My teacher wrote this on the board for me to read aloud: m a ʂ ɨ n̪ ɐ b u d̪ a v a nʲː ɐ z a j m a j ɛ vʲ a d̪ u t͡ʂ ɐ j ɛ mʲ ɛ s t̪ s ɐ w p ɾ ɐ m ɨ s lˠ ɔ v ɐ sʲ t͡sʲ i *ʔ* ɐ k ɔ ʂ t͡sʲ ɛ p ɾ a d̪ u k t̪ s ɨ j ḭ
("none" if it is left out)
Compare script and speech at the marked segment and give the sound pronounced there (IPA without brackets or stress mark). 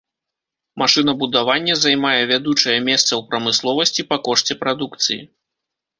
p